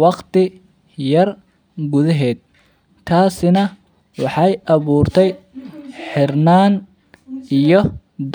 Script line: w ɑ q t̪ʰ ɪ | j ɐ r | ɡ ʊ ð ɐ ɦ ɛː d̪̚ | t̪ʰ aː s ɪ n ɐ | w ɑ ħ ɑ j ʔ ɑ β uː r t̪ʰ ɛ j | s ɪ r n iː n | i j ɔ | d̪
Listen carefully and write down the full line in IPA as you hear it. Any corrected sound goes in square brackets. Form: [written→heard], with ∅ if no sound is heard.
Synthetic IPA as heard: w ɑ q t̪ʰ ɪ | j ɐ r | ɡ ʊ ð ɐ ɦ ɛː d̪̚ | t̪ʰ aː s ɪ n ɐ | w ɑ ħ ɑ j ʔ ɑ β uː r t̪ʰ ɛ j | [s→ħ] ɪ r n [iː→aː] n | i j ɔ | d̪